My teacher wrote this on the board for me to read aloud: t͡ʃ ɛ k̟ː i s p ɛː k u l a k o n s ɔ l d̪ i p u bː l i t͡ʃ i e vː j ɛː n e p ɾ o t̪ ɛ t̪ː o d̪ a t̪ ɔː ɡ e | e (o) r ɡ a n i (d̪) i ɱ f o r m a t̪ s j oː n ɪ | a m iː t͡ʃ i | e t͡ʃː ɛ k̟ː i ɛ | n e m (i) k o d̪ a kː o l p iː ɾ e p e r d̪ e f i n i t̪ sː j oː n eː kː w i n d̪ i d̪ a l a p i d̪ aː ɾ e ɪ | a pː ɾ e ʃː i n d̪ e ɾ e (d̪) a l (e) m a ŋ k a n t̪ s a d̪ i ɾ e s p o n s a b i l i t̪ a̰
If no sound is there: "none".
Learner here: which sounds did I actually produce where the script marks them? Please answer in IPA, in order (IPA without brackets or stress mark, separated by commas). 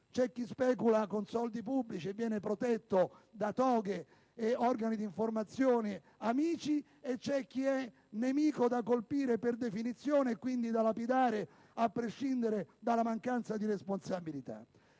ɔ, d̪, iː, d̪, a